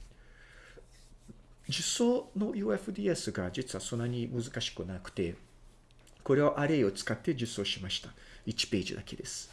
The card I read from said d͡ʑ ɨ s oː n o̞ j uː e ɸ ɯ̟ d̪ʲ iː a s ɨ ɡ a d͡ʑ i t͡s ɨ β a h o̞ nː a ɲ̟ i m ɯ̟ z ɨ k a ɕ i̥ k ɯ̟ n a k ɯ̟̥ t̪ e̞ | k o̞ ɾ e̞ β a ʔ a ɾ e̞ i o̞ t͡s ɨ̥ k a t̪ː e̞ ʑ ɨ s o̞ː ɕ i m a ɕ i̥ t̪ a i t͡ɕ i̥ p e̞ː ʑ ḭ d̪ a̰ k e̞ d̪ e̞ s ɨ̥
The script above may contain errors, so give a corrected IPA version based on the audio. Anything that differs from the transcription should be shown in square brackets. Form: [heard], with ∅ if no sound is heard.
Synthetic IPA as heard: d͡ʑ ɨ s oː n o̞ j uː e ɸ ɯ̟ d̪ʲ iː [e] s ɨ ɡ a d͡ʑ i t͡s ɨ β a [s] o̞ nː a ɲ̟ i m ɯ̟ z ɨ k a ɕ i̥ k ɯ̟ n a k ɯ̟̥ t̪ e̞ | k o̞ ɾ e̞ β a ʔ a ɾ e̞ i o̞ t͡s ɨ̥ k a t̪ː e̞ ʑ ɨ s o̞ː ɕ i m a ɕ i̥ t̪ a i t͡ɕ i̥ p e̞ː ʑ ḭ d̪ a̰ k e̞ d̪ e̞ s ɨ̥